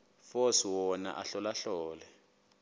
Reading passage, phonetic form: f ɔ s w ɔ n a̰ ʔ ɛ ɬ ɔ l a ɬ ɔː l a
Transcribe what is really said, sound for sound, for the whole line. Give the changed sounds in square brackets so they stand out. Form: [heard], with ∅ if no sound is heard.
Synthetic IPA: f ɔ s w ɔ n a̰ ʔ [a] ɬ ɔ l a ɬ ɔː l [ɛ]